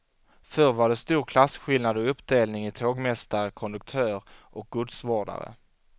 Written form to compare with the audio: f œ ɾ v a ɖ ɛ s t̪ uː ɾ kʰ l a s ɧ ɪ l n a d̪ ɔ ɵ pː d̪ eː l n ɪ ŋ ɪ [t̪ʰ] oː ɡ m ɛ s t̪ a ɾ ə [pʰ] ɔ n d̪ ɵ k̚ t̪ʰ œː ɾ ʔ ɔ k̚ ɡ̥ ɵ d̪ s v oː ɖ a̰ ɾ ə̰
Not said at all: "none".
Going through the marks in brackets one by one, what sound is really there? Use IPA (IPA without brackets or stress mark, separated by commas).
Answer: t̪ʰ, kʰ